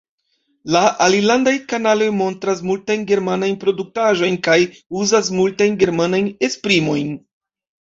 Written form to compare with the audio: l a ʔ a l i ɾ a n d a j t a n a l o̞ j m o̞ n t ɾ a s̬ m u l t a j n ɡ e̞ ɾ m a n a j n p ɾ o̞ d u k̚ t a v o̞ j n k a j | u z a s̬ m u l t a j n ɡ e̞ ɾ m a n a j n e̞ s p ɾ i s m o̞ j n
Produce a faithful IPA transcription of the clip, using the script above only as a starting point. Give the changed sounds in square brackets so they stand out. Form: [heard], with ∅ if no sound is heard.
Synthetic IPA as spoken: l a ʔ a l i [l] a n d a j [k] a n a l o̞ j m o̞ n t ɾ a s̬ m u l t a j n ɡ e̞ ɾ m a n a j n p ɾ o̞ d u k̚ t a [ʒ] o̞ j n k a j | u z a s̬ m u l t a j n ɡ e̞ ɾ m a n a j n e̞ s p ɾ i [∅] m o̞ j n